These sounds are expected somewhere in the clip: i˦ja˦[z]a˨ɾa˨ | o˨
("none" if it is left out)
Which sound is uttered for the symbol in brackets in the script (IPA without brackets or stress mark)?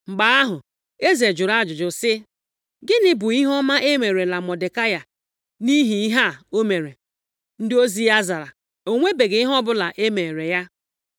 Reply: z